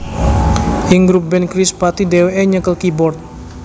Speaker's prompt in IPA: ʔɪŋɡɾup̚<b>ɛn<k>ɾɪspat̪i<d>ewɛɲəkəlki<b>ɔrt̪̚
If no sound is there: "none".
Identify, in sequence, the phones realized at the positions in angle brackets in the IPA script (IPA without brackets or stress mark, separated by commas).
b, k, d, b